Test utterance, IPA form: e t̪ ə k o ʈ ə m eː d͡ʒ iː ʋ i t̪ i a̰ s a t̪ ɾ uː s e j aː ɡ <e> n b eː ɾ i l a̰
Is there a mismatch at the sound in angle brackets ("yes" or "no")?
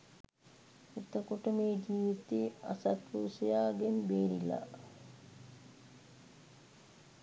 no